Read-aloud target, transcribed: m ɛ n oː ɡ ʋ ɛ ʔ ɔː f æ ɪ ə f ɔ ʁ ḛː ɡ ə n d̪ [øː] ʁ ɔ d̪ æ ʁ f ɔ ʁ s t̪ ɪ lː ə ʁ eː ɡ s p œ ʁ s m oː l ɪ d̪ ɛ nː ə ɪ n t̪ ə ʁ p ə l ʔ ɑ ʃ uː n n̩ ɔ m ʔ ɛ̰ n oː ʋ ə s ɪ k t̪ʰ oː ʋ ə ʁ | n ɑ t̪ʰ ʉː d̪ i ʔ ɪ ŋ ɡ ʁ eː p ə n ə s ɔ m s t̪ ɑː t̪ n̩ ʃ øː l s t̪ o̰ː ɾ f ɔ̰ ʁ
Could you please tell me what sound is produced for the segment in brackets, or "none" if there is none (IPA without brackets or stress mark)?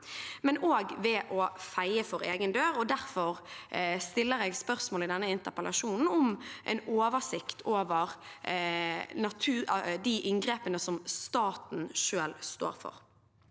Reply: øː